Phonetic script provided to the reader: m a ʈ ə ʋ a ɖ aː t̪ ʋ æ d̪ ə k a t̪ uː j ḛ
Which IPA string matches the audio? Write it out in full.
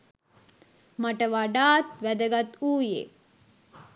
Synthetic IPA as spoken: m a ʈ ə ʋ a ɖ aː t̪ ʋ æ d̪ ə ɡ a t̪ uː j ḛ